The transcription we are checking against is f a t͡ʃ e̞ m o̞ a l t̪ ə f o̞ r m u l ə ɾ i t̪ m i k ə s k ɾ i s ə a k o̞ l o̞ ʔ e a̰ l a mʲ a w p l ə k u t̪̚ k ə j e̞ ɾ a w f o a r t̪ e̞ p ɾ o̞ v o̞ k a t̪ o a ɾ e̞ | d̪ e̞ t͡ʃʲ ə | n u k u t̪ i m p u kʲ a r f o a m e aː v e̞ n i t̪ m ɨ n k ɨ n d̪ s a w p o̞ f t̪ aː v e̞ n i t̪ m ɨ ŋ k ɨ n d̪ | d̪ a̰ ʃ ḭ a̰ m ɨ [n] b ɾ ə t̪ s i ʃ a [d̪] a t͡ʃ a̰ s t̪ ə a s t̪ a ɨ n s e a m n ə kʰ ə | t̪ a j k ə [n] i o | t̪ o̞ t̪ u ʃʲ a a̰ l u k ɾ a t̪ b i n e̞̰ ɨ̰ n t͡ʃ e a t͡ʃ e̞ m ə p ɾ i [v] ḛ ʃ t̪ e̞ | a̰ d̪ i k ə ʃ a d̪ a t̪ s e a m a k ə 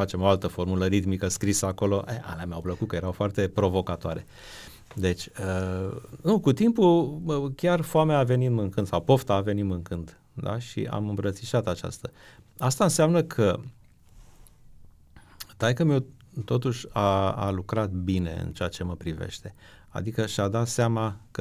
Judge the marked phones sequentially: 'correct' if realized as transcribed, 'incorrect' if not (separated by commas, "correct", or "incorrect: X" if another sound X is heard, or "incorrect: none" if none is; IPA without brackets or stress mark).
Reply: incorrect: m, incorrect: t̪, incorrect: m, correct